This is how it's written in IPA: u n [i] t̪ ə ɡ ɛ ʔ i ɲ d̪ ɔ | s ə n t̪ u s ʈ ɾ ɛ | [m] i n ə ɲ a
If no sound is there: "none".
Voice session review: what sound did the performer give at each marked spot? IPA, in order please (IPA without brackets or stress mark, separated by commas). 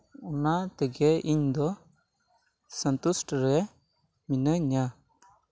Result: a, m